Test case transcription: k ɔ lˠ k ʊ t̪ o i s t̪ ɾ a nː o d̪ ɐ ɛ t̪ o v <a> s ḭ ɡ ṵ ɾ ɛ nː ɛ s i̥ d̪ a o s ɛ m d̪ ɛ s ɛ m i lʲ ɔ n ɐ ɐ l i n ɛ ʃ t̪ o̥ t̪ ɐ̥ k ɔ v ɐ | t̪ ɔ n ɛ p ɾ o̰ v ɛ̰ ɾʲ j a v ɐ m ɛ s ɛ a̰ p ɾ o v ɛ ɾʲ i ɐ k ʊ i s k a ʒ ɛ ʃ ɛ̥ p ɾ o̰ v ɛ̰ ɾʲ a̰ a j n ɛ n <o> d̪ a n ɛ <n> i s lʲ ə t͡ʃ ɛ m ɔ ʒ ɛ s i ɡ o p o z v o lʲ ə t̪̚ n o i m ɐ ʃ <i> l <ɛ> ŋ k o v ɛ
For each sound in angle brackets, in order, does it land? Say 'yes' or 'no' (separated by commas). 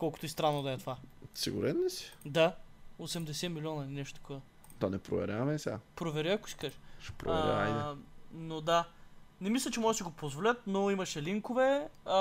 yes, yes, no, no, no